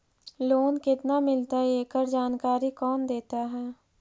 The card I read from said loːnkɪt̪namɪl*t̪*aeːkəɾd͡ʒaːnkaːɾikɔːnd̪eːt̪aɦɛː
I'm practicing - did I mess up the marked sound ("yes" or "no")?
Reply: no